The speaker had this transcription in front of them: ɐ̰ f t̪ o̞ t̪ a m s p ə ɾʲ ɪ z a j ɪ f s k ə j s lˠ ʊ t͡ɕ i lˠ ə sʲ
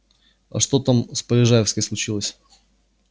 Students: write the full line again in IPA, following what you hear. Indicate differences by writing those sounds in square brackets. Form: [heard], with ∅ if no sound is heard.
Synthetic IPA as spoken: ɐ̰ [ʂ] t̪ o̞ t̪ a m s p ə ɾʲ ɪ [ʐ] a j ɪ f s k ə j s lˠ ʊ t͡ɕ i lˠ ə sʲ